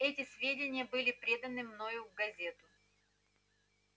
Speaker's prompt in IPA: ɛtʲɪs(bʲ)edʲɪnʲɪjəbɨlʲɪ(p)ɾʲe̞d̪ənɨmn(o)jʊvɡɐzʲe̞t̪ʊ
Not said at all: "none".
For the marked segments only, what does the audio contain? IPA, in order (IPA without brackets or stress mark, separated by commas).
vʲ, p, o